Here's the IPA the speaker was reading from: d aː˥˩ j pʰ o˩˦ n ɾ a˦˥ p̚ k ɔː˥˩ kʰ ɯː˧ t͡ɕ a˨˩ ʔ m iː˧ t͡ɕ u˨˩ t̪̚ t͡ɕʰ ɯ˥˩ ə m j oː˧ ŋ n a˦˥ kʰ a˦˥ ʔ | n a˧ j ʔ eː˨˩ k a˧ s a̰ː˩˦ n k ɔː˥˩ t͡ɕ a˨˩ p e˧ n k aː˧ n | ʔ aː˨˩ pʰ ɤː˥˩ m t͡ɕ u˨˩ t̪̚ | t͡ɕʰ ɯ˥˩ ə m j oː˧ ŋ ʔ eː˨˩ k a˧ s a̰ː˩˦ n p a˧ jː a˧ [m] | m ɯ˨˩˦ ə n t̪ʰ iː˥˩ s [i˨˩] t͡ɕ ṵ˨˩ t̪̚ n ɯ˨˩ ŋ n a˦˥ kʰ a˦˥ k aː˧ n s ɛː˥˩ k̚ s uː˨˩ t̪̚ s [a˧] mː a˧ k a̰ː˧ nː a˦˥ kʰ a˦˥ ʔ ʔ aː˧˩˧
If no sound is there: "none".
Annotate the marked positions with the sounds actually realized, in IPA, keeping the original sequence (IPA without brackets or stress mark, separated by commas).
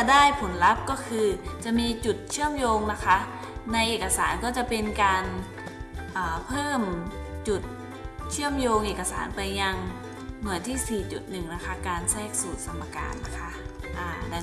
ŋ, iː˨˩, a˧